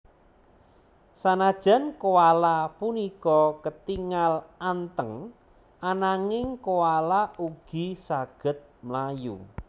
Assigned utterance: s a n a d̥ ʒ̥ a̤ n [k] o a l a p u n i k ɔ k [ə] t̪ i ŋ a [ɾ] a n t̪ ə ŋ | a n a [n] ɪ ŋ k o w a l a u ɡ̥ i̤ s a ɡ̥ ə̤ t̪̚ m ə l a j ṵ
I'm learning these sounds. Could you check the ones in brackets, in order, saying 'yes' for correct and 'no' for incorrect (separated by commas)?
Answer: yes, yes, no, no